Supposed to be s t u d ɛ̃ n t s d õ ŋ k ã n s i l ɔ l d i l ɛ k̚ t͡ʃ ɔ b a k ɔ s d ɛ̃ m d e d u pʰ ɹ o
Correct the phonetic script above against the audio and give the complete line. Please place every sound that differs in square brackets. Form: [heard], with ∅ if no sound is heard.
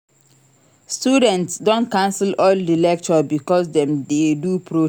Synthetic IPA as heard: s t u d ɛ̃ n t s d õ [n] k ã n s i l ɔ l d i l ɛ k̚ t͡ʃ ɔ b [i] k ɔ s d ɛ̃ m d e d u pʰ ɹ o